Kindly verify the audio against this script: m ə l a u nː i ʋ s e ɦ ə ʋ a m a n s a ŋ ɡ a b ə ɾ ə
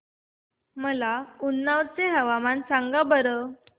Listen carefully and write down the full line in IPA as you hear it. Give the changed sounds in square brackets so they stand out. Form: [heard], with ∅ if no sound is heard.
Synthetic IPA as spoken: m ə l a u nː [a] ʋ [t͡s] e ɦ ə ʋ a m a n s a ŋ ɡ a b ə ɾ ə